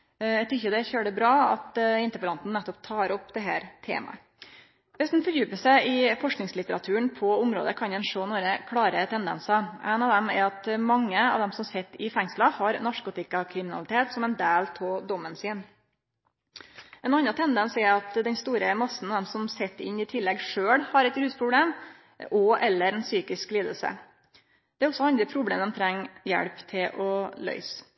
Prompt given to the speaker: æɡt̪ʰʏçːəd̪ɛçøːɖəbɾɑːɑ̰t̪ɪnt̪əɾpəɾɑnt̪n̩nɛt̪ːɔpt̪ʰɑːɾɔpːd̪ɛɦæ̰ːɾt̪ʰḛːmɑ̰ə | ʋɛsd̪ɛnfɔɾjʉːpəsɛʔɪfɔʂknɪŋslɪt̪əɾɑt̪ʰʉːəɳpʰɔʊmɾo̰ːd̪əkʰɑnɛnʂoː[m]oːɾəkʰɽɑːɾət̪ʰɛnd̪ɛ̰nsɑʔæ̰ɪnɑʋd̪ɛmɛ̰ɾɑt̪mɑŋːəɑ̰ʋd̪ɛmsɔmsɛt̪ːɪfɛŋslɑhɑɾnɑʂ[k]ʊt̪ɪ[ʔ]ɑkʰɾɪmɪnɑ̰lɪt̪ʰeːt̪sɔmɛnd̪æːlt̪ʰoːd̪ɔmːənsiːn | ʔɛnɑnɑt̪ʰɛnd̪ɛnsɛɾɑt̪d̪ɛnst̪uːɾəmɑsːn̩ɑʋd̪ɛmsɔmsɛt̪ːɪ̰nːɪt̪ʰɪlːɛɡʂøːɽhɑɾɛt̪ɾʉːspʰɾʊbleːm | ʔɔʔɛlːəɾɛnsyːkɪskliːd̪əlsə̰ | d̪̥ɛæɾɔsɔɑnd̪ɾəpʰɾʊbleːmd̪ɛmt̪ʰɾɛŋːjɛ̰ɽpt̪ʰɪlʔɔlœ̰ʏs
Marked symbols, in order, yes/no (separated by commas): no, yes, no